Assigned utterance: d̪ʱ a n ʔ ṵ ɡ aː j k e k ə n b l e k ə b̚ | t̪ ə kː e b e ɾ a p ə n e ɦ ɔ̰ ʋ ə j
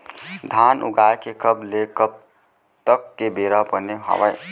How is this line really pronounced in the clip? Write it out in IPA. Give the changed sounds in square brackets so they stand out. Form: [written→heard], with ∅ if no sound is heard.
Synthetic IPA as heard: d̪ʱ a n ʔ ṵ ɡ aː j k e k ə [n→∅] b l e k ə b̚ | t̪ ə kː e b e ɾ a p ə n e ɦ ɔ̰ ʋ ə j